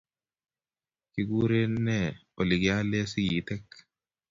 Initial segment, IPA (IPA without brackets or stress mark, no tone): k